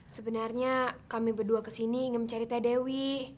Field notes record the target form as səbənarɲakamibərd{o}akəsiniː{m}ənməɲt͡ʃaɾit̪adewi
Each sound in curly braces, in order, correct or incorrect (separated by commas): incorrect, incorrect